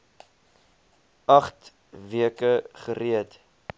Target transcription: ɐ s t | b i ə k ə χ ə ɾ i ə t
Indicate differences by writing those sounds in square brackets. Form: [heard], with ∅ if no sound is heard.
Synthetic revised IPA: ɐ [χ] t | [v] i ə k ə χ ə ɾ i ə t